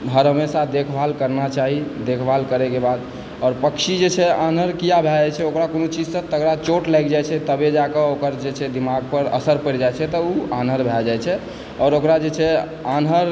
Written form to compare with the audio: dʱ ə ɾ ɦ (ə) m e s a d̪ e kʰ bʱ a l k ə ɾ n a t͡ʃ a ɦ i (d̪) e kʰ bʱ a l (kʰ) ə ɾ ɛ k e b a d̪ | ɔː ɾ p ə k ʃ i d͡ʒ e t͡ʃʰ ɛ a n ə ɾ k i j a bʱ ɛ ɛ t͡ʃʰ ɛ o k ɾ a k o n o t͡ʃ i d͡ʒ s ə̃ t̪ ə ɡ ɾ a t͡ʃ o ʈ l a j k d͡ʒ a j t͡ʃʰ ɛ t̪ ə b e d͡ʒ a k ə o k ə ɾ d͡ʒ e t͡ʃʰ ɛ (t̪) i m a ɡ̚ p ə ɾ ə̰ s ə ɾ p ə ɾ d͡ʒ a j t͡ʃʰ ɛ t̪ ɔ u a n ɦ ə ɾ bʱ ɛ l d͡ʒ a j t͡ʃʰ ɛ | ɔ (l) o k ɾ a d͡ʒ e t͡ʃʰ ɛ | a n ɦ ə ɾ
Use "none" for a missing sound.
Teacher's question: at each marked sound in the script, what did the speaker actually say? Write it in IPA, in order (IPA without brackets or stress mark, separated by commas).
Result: ə, d̪, k, d̪, ɾ